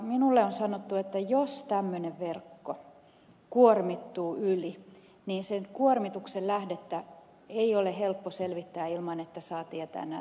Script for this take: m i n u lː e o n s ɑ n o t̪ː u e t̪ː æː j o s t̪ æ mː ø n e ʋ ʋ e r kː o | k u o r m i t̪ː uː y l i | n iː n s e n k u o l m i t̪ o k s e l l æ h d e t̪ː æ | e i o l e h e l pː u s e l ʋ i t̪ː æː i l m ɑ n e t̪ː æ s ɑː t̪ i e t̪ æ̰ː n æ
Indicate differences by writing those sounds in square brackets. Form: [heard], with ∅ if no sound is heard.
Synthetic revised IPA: m i n u lː e o n s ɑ n o t̪ː u e t̪ː [æ] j o s t̪ æ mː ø n e ʋ ʋ e r kː o | k u o r m i t̪ː uː y l i | n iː n s e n k u o [r] m i t̪ [u] k s e l l æ h d e t̪ː æ | e i o l e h e l pː [o] s e l ʋ i t̪ː æː i l m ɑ n e t̪ː æ s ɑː t̪ i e t̪ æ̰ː n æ